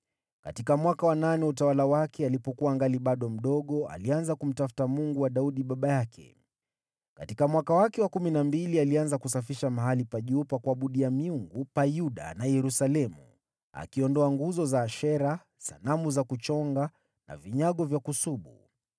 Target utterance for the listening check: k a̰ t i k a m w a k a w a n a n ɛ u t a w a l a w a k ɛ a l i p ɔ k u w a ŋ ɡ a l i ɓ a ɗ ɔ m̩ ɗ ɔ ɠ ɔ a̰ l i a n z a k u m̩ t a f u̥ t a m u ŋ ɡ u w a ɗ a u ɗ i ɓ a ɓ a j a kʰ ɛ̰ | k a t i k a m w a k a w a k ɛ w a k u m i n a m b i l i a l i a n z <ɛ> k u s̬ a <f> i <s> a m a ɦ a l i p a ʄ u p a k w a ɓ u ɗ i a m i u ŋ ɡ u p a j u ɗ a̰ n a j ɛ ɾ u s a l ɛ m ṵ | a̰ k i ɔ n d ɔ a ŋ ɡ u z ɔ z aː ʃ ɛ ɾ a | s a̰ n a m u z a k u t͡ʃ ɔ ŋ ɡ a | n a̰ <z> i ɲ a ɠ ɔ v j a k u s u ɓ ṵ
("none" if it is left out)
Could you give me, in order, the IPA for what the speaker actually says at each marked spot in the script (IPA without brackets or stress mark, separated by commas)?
a, f, ʃ, v